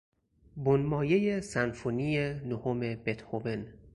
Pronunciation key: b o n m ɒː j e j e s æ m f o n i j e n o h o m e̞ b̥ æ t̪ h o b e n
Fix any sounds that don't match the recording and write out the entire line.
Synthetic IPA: b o n m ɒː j e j e s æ n f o n i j e n o h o m e̞ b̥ e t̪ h o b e n